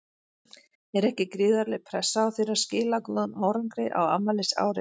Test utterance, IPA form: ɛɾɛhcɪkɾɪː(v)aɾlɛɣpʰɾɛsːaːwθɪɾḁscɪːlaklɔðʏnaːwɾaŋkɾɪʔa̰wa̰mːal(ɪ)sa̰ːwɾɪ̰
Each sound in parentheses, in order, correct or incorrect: incorrect: ð, correct

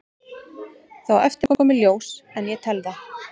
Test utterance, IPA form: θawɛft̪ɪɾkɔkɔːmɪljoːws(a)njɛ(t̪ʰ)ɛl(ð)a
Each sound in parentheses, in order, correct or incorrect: incorrect: ɛ, correct, correct

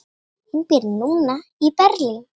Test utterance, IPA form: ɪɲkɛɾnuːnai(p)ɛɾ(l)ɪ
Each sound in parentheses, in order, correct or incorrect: correct, correct

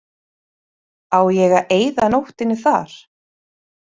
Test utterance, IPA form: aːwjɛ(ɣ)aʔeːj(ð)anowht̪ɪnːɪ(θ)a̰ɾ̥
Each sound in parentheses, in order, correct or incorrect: correct, correct, correct

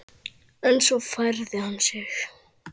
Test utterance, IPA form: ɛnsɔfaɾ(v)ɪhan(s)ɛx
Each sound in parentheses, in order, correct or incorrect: incorrect: ð, correct

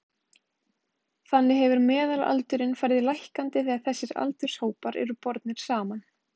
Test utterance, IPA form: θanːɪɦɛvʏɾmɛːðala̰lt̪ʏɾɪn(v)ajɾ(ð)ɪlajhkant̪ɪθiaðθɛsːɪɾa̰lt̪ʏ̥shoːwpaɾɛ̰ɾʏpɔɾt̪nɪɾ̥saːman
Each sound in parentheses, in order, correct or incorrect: incorrect: f, correct

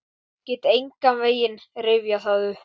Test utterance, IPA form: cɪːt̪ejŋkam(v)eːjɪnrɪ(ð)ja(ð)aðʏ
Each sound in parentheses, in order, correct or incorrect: correct, incorrect: v, incorrect: θ

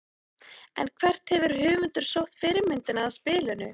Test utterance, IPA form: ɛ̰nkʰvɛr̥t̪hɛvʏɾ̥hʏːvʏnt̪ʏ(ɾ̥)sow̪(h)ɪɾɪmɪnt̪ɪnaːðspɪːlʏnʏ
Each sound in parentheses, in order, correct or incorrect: correct, incorrect: f

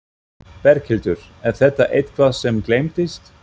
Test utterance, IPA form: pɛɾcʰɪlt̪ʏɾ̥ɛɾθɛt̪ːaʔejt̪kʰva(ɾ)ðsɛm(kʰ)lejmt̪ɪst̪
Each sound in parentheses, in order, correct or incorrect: incorrect: none, incorrect: k

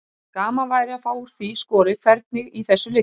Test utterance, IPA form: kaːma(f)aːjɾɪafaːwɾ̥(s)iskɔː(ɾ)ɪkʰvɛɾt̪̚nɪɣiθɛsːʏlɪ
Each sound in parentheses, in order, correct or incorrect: incorrect: v, incorrect: θ, correct

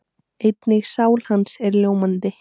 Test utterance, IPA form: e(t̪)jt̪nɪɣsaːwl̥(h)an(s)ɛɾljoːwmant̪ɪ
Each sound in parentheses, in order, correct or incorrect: incorrect: none, correct, correct

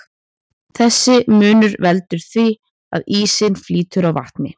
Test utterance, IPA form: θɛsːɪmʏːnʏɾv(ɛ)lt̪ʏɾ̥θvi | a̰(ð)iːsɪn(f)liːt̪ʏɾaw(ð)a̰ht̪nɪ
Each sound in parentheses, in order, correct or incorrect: correct, correct, correct, incorrect: v

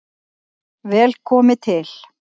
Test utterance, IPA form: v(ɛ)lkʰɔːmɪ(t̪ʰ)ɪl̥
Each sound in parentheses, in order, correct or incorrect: incorrect: ɛː, correct

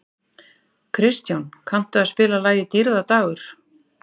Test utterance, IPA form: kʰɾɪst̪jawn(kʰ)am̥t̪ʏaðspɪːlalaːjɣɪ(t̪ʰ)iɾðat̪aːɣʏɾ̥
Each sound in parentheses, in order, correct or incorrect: correct, incorrect: t̪

